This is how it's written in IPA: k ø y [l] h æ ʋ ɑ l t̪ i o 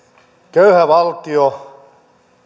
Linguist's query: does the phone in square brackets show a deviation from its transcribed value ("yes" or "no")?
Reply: yes